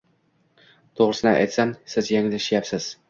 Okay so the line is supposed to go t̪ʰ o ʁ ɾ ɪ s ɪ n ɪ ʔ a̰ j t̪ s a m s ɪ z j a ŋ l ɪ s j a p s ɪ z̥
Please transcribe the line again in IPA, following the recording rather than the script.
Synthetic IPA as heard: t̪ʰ o ʁ ɾ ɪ s ɪ n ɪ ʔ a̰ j t̪ s a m s ɪ z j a ŋ l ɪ ʃ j a p s ɪ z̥